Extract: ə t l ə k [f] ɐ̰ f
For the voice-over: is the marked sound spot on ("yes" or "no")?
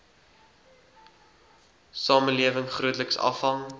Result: no